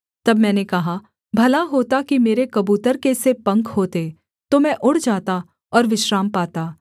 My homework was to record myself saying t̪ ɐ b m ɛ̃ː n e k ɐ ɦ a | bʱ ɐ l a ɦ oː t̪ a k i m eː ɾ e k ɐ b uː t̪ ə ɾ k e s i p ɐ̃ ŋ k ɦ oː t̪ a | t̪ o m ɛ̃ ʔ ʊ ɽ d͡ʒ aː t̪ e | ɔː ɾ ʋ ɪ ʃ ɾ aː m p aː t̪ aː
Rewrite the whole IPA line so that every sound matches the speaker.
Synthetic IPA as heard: t̪ ɐ b m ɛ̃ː n e k ɐ ɦ a | bʱ ɐ l a ɦ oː t̪ a k i m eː ɾ e k ɐ b uː t̪ ə ɾ k e s e p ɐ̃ ŋ k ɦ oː t̪ e | t̪ o m ɛ̃ ʔ ʊ ɽ d͡ʒ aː t̪ a | ɔː ɾ ʋ ɪ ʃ ɾ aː m p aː t̪ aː